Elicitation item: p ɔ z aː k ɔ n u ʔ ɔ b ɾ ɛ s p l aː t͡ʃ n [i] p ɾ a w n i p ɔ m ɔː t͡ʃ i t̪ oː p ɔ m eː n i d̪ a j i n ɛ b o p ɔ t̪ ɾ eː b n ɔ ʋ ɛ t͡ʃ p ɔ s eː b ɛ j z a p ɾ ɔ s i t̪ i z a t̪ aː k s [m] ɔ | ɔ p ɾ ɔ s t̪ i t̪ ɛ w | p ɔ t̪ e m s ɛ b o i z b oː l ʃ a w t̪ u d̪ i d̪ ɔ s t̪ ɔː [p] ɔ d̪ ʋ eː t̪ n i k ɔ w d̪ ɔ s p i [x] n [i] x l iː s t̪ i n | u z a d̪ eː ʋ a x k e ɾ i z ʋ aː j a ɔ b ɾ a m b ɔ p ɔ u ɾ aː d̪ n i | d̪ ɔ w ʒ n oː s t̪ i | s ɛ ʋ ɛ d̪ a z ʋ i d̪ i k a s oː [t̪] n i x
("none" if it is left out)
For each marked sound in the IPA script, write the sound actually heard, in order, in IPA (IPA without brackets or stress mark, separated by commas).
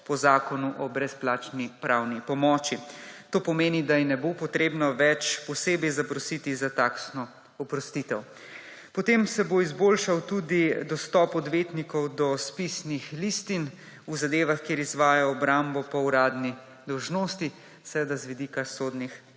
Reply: i, n, p, s, i, d̪